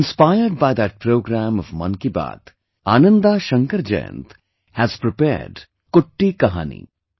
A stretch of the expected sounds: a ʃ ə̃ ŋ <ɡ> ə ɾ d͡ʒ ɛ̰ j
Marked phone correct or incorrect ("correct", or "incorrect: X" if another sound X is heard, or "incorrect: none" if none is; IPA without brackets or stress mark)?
incorrect: k